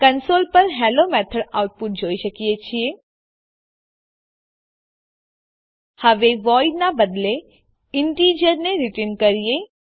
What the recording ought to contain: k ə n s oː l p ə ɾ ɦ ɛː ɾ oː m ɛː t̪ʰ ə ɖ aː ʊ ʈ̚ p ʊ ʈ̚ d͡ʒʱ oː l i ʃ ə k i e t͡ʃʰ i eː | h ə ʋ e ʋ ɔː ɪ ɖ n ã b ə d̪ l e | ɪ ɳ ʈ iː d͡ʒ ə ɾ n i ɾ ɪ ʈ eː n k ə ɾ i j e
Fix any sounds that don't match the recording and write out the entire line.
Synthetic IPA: k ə n s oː l p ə ɾ ɦ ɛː l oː m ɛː t̪ʰ ə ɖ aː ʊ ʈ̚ p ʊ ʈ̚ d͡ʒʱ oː i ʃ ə k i e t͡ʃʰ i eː | h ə ʋ e ʋ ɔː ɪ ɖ n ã b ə d̪ l e | ɪ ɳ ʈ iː d͡ʒ ə ɾ n e ɾ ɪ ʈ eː n k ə ɾ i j e